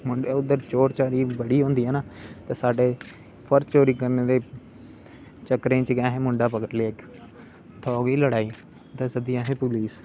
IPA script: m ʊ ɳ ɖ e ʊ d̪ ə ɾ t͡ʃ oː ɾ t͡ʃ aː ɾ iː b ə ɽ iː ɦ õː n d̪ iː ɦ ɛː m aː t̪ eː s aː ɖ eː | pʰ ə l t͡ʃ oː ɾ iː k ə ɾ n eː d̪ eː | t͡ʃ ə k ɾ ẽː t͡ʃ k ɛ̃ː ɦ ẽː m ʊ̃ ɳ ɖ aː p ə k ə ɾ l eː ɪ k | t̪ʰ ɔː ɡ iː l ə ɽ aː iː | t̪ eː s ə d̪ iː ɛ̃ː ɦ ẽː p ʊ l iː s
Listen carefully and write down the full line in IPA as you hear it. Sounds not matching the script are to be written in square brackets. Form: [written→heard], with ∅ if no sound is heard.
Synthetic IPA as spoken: m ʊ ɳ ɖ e ʊ d̪ ə ɾ t͡ʃ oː ɾ t͡ʃ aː ɾ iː b ə ɽ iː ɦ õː n d̪ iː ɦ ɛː [m→n] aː t̪ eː s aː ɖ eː | pʰ ə [l→ɾ] t͡ʃ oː ɾ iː k ə ɾ n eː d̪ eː | t͡ʃ ə k ɾ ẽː t͡ʃ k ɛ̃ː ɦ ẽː m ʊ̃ ɳ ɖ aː p ə k ə ɾ l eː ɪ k | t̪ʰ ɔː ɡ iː l ə ɽ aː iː | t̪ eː s ə d̪ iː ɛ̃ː ɦ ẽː p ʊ l iː s